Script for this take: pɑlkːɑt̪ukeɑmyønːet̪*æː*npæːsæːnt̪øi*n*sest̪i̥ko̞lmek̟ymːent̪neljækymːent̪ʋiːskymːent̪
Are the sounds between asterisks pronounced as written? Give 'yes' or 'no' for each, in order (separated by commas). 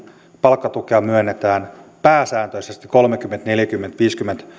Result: yes, no